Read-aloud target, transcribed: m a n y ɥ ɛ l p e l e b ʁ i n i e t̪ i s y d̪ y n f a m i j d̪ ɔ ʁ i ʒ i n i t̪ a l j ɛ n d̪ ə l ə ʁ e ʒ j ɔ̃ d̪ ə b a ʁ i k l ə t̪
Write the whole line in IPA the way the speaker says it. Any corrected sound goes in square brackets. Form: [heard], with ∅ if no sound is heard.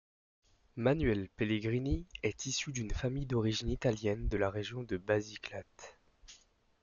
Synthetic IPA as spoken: m a n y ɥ ɛ l p e l e [ɡ] ʁ i n i [ɛ] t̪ i s y d̪ y n f a m i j d̪ ɔ ʁ i ʒ i n i t̪ a l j ɛ n d̪ ə l [a] ʁ e ʒ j ɔ̃ d̪ ə b a [z] i k l [a] t̪